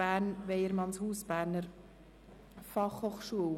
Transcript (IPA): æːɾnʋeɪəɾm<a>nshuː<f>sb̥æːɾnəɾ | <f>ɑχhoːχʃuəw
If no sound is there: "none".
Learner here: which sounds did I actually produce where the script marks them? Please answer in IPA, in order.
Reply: ɑ, none, f

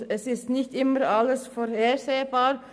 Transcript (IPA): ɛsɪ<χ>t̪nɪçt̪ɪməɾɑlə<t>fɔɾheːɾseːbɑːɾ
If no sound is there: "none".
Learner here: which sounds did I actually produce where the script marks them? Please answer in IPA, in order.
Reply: s, s

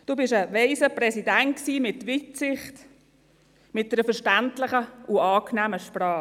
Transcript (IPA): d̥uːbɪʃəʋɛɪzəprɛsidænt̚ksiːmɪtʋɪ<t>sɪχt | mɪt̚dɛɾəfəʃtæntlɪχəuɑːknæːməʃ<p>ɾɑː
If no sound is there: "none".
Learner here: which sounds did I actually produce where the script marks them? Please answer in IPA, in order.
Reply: t, p

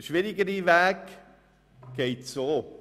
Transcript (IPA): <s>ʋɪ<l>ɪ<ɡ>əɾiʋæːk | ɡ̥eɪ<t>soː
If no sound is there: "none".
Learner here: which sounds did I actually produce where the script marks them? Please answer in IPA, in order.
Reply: ʃ, ɾ, ɡ, t

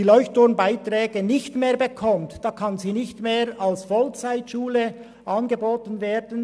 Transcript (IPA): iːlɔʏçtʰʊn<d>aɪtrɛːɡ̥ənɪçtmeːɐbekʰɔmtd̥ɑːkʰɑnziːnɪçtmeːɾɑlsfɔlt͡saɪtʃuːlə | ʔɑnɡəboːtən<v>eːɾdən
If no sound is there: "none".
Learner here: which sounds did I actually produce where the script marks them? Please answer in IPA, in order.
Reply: b, v

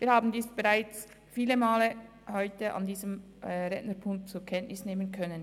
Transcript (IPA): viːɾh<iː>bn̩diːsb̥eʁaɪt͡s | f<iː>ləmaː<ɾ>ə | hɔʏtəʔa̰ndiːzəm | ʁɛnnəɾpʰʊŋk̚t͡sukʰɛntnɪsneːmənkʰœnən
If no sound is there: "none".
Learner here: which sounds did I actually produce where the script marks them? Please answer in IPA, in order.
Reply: aː, iː, l

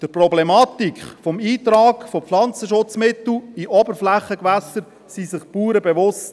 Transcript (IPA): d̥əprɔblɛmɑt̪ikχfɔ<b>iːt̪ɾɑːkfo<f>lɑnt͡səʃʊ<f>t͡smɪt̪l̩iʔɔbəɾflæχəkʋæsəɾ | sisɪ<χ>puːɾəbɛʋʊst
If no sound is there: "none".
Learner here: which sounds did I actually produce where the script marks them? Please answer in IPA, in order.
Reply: m, f, none, χ

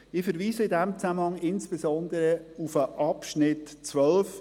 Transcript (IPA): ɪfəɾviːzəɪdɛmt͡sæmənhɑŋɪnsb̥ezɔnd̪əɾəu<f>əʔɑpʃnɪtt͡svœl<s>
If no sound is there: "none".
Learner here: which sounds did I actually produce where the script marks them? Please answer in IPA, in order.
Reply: f, f

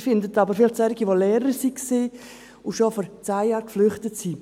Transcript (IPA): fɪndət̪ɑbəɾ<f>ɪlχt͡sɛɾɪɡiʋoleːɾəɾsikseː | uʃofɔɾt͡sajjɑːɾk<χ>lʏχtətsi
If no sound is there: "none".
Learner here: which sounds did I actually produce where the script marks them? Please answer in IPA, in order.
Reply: f, f

